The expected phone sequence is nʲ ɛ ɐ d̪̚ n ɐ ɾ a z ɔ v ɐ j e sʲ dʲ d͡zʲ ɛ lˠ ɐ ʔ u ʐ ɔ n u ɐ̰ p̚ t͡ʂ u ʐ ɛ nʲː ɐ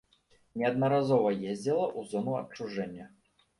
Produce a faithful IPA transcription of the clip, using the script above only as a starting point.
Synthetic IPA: nʲ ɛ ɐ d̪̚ n ɐ ɾ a z ɔ v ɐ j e zʲ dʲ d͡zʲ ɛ lˠ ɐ ʔ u z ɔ n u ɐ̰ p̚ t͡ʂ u ʐ ɛ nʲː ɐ